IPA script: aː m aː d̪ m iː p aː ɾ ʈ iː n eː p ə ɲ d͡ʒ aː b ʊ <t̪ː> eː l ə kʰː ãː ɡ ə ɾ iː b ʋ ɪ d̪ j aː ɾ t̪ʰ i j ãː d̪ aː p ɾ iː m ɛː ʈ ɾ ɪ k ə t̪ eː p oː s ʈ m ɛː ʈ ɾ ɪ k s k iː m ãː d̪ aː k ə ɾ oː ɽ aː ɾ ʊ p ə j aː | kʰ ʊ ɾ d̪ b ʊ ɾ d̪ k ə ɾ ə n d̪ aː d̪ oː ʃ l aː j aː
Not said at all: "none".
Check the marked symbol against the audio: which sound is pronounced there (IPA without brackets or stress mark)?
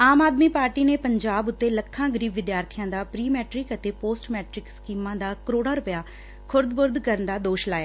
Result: t̪ː